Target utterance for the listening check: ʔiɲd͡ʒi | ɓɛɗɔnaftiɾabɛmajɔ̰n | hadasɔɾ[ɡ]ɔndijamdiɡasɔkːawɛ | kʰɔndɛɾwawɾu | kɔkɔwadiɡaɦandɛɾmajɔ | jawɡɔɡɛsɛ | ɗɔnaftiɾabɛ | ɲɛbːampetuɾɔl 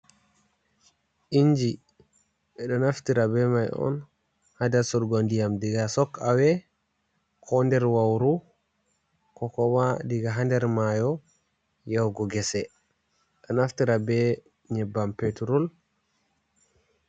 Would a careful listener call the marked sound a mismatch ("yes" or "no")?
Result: no